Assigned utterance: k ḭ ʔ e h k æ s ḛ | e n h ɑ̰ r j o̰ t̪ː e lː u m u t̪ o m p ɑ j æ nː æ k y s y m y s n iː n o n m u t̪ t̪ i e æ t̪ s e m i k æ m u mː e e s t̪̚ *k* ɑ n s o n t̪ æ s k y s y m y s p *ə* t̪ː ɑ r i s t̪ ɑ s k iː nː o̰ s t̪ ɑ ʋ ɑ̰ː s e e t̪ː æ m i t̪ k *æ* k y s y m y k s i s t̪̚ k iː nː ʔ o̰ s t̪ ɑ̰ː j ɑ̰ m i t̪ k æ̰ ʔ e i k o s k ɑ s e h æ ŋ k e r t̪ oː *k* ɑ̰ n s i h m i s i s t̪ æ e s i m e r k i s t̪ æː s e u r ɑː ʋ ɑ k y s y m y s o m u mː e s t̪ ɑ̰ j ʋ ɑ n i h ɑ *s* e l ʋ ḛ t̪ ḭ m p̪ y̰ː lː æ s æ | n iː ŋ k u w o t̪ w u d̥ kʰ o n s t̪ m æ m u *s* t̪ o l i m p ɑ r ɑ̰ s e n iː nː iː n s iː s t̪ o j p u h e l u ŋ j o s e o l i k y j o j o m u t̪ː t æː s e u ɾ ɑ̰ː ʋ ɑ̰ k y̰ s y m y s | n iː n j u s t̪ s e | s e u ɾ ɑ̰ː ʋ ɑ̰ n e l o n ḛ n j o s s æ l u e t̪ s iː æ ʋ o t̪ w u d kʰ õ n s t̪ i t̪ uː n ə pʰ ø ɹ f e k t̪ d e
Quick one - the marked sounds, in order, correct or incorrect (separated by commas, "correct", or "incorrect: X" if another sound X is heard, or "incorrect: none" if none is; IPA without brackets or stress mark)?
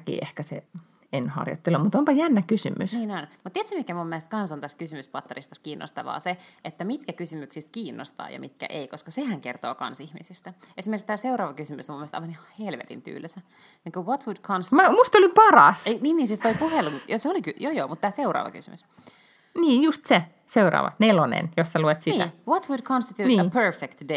correct, incorrect: ɑ, correct, correct, incorrect: h, correct